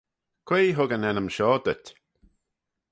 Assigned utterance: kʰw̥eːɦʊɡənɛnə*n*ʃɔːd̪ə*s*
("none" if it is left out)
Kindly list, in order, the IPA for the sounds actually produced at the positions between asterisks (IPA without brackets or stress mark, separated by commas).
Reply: m, t